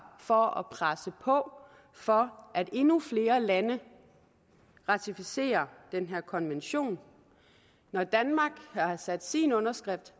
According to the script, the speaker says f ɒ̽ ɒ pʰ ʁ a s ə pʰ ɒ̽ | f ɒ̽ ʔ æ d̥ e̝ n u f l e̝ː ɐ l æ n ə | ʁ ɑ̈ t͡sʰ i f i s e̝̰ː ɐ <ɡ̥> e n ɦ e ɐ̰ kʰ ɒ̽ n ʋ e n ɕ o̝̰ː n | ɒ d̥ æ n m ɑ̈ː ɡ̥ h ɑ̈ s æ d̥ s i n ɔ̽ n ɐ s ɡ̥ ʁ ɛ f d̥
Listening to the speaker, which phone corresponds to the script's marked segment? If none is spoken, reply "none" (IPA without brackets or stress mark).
d̥